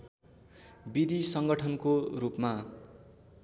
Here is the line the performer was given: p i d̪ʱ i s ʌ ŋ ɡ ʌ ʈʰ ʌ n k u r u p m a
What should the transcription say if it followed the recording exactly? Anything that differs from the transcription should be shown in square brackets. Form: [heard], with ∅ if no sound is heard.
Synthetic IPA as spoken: [b] i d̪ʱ i s ʌ ŋ ɡ ʌ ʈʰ ʌ n k [o] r u p m a